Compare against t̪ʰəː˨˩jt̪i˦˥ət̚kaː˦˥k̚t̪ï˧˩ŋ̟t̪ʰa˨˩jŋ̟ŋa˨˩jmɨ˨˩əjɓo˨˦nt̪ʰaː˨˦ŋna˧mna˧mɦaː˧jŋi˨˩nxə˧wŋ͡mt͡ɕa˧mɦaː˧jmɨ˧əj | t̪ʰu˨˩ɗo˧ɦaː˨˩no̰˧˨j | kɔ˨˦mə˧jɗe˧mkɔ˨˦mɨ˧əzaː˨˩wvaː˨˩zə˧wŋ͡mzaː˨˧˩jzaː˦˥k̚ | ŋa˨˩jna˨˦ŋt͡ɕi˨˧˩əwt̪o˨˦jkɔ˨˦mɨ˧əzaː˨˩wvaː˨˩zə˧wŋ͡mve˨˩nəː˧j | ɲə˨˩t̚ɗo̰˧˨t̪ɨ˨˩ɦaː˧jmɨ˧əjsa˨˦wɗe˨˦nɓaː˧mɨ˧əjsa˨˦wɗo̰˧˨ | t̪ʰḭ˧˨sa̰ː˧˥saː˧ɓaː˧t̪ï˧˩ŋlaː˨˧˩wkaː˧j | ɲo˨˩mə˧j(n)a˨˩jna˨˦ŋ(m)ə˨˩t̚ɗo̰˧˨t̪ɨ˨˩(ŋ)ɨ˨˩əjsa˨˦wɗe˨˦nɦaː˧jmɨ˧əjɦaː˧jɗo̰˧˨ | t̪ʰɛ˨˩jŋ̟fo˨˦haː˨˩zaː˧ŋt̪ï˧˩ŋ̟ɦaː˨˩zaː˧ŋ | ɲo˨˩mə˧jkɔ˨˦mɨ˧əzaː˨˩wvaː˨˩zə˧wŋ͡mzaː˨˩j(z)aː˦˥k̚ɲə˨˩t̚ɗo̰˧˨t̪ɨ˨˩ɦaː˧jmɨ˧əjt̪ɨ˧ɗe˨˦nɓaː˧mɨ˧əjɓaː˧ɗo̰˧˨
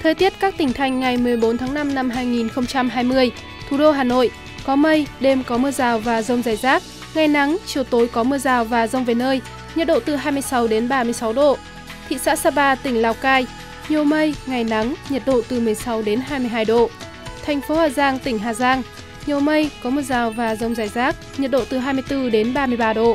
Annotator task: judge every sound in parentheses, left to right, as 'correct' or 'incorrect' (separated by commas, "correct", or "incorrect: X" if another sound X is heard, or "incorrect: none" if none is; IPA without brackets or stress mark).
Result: incorrect: ŋ, incorrect: ɲ, incorrect: m, correct